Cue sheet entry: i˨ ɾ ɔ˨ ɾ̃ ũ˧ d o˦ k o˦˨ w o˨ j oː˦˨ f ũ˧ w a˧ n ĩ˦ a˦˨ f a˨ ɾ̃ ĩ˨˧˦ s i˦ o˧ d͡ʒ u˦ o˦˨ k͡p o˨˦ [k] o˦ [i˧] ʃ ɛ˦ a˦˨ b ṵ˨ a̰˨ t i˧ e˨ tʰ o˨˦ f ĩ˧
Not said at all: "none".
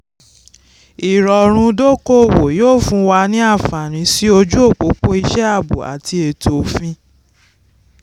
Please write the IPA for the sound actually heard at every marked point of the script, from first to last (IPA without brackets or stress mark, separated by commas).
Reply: k͡p, i˧